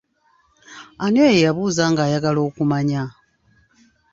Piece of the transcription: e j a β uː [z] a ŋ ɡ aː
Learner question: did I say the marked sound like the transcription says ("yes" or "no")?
yes